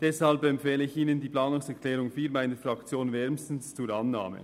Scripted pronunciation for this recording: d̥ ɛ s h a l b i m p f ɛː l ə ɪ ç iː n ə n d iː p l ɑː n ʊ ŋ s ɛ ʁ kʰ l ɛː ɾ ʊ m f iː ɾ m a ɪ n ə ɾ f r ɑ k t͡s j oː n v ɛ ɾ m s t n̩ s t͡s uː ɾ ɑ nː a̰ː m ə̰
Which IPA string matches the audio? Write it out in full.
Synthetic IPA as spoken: d̥ ɛ s h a l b ɛ m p f ɛː l ə ɪ ç iː n ə n d iː p l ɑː n ʊ ŋ s ɛ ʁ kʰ l ɛː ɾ ʊ ŋ f iː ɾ m a ɪ n ə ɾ f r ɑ k t͡s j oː n v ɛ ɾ m s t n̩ s t͡s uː ɾ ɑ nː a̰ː m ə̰